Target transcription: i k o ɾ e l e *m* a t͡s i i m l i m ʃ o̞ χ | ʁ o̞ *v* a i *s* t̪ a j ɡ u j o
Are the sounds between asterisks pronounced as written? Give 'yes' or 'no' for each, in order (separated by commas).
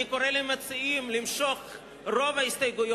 yes, yes, yes